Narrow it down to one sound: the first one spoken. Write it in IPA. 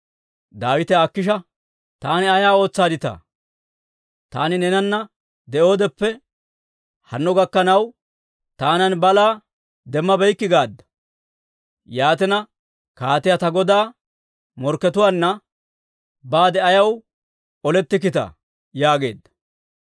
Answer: d̪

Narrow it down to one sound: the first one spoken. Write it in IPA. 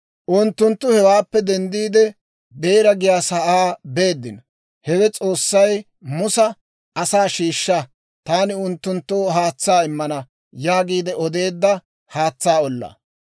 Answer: ʔ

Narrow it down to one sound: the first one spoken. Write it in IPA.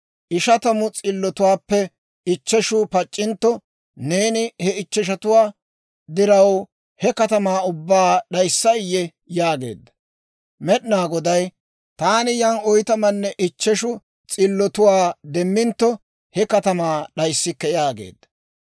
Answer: ʔ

